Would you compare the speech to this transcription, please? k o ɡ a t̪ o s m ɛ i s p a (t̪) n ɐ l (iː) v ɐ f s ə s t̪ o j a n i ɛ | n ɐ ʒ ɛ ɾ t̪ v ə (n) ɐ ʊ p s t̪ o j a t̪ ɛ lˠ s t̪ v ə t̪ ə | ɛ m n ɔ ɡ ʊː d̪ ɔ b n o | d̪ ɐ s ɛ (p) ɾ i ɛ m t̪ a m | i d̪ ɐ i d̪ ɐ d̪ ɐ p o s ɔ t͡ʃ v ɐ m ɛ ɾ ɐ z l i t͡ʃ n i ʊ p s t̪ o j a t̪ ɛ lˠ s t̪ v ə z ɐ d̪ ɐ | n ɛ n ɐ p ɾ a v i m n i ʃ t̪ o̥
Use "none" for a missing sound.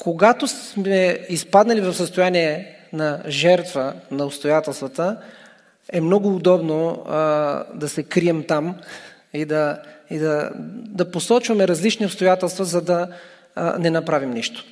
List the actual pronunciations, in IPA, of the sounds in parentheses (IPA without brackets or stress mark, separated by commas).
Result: d̪, i, n, k